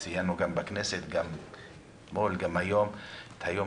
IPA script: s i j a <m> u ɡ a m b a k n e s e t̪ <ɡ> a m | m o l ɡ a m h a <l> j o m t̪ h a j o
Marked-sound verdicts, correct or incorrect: incorrect: n, correct, incorrect: none

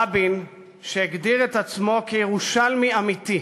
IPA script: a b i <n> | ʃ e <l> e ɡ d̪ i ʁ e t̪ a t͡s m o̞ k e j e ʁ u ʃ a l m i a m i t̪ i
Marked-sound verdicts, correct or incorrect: correct, incorrect: none

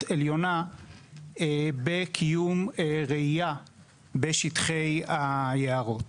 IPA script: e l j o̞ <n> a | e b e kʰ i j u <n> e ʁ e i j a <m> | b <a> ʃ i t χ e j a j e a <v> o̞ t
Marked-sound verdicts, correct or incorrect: correct, incorrect: m, incorrect: none, incorrect: e, incorrect: ʁ

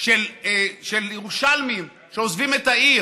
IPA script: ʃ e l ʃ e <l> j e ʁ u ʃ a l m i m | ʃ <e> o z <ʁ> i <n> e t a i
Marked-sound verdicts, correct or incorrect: correct, correct, incorrect: v, incorrect: m

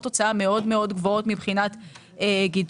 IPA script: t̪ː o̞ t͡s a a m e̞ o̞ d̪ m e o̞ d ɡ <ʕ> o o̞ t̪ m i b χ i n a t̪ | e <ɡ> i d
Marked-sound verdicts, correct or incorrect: incorrect: v, correct

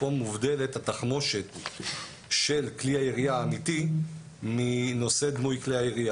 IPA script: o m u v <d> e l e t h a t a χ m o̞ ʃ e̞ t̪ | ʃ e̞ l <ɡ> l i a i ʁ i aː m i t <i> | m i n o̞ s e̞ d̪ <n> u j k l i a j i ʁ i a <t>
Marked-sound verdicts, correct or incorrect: correct, incorrect: k, correct, incorrect: m, incorrect: none

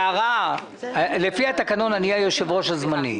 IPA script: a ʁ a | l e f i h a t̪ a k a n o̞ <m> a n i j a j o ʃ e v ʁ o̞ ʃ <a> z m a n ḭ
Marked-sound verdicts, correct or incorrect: incorrect: n, correct

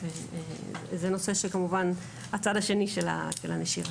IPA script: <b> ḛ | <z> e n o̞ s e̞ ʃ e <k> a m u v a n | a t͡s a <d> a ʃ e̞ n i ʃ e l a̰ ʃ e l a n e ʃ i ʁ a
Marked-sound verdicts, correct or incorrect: incorrect: v, correct, correct, correct

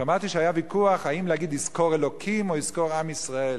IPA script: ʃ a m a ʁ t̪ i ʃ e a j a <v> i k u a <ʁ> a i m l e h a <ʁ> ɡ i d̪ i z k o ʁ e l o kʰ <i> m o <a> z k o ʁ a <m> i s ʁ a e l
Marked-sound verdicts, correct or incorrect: correct, incorrect: χ, incorrect: none, correct, incorrect: i, correct

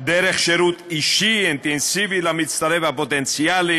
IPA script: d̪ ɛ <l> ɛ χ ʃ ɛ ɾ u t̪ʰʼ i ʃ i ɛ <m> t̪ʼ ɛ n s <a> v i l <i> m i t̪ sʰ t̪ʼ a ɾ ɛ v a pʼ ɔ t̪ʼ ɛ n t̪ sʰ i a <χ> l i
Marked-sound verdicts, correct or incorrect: incorrect: ɾ, incorrect: n, incorrect: i, incorrect: a, incorrect: none

